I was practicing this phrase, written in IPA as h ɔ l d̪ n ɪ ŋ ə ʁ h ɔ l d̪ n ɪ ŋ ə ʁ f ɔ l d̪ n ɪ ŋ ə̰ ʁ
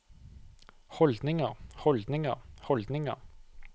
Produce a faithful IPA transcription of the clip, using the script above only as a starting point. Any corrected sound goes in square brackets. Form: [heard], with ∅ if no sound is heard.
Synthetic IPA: h ɔ l d̪ n ɪ ŋ ə ʁ h ɔ l d̪ n ɪ ŋ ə ʁ [h] ɔ l d̪ n ɪ ŋ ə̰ ʁ